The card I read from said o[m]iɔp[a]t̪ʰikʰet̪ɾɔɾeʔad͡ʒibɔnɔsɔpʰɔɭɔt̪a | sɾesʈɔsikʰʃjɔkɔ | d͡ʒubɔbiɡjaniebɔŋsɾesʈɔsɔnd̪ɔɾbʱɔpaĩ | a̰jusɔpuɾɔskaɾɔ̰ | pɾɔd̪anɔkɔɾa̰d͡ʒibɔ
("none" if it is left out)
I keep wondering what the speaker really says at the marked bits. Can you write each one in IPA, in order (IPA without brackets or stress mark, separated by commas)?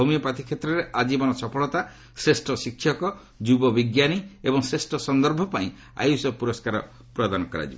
m, a